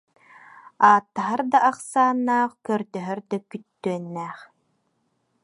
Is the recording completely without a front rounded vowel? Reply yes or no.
no